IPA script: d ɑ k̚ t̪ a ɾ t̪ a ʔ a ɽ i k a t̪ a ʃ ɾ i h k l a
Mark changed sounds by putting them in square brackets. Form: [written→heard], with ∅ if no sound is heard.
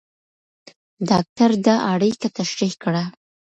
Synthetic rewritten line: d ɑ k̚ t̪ a ɾ [t̪→d̪] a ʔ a ɽ i k a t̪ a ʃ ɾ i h k [l→ɽ] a